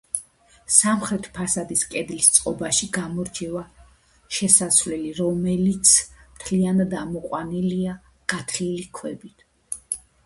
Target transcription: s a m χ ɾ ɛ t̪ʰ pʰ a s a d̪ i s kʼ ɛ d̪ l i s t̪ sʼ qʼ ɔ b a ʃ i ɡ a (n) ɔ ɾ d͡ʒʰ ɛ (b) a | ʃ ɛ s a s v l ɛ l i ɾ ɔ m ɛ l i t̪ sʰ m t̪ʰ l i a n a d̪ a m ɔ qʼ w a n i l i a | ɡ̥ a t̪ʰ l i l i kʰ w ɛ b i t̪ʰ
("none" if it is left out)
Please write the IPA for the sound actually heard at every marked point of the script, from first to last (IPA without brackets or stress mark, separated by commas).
m, v